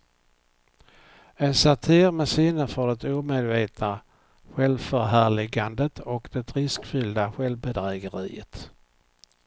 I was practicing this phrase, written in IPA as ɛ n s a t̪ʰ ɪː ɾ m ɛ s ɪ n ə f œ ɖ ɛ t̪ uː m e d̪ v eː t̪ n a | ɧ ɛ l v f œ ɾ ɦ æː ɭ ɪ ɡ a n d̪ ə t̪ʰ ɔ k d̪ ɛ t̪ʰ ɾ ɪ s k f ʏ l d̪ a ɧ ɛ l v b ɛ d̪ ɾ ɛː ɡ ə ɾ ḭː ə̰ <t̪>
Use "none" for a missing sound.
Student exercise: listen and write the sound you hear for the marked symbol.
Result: t̪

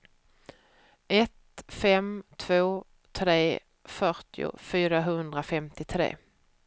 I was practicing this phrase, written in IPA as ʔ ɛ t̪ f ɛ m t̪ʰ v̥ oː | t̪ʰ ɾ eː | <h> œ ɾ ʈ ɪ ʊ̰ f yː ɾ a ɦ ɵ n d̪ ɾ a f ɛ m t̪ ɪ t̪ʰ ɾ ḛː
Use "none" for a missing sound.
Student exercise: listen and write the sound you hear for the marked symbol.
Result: f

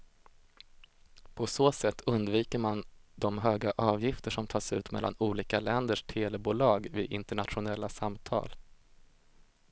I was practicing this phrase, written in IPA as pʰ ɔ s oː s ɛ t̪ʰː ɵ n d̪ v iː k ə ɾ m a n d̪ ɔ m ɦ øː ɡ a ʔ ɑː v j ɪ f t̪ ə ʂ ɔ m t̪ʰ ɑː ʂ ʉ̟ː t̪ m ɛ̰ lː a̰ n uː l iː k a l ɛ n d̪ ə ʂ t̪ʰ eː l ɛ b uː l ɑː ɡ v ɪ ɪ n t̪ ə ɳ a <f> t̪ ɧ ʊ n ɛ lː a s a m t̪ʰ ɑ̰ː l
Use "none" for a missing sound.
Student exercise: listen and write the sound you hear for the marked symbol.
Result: none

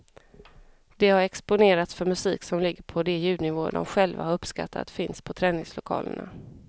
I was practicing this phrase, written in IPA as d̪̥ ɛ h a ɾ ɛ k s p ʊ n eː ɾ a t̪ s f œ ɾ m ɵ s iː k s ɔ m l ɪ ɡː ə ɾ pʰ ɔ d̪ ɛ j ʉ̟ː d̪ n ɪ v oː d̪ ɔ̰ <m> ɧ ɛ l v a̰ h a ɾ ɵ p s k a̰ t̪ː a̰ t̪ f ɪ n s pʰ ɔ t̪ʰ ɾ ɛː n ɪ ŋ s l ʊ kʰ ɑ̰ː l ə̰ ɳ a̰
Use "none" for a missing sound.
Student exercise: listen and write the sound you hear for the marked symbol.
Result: m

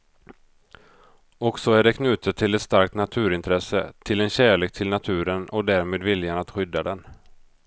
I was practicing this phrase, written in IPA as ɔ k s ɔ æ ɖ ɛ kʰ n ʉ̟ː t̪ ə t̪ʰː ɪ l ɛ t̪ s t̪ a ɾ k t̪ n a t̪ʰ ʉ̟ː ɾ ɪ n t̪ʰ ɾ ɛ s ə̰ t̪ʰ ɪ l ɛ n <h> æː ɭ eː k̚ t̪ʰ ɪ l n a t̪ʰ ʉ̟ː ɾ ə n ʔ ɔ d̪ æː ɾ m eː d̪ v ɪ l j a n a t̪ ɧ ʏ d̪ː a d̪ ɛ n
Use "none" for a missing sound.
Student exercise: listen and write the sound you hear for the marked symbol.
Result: ɕ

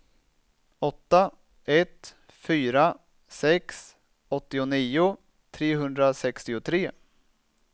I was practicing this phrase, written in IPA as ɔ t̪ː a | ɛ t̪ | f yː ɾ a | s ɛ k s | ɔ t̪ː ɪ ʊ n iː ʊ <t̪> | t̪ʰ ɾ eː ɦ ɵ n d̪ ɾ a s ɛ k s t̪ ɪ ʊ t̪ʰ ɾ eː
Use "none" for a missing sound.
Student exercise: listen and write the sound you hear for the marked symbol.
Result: none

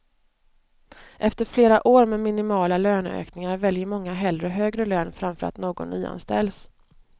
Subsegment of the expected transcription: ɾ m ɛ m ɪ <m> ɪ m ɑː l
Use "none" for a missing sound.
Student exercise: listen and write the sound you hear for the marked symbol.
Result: n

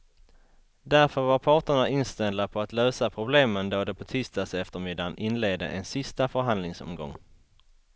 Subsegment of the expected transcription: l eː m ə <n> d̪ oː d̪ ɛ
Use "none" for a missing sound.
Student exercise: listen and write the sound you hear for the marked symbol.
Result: n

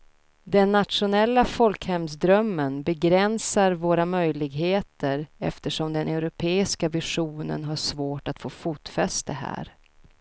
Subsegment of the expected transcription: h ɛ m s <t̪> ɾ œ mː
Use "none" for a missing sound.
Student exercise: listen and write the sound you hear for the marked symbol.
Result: d̪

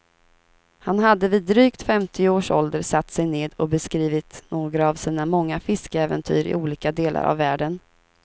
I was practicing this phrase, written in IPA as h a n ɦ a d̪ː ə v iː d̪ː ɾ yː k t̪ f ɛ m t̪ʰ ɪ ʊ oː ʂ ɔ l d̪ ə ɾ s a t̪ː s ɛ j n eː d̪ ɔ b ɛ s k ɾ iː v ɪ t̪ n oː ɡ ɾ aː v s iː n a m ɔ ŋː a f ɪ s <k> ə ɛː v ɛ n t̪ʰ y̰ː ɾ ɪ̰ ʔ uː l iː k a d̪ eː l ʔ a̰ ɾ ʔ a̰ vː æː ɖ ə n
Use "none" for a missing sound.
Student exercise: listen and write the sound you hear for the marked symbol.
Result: k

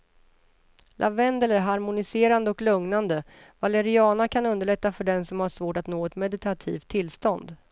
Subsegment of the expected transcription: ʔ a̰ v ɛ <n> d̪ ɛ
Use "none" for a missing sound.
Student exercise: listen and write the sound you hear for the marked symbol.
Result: n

